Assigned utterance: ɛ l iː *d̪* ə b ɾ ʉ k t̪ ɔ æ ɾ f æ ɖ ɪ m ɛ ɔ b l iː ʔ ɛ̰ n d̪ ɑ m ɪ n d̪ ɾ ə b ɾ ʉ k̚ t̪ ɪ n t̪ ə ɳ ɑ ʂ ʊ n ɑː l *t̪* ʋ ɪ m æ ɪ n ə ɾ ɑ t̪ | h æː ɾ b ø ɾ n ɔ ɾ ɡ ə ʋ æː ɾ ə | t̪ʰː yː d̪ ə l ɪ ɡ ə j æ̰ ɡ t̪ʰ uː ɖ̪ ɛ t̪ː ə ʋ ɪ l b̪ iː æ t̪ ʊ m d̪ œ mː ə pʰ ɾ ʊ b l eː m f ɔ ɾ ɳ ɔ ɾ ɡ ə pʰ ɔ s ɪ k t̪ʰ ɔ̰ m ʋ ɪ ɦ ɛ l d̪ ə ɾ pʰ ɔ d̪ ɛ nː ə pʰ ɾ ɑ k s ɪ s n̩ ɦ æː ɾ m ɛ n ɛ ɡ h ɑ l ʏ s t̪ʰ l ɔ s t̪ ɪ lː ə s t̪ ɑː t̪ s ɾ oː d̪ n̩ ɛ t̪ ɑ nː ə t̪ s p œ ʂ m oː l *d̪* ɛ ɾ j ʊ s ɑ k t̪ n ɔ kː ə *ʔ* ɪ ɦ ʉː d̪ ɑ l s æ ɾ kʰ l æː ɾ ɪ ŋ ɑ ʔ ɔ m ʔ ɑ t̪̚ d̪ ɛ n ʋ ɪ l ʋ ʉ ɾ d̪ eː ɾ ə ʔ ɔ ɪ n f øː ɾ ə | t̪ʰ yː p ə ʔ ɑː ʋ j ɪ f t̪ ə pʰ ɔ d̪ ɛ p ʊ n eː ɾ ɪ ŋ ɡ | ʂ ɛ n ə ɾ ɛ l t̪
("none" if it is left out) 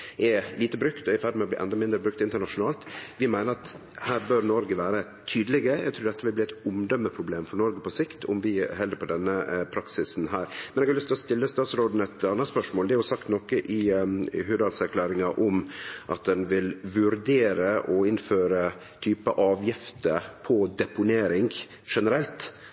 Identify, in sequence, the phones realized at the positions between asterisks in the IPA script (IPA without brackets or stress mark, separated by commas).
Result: t̪, t̪, d̪, ʔ